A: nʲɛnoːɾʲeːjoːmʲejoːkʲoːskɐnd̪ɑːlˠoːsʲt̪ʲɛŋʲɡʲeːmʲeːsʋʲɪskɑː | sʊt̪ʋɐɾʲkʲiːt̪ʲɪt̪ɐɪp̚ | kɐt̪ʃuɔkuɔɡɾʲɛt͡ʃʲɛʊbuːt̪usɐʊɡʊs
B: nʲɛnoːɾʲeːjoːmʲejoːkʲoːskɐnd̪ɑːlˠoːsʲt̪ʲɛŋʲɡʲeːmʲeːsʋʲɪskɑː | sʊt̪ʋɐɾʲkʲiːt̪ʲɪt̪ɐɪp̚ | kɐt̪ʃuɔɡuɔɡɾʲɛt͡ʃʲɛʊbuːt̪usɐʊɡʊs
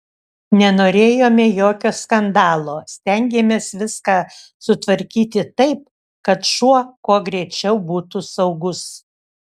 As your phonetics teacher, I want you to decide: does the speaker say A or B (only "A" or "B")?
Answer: A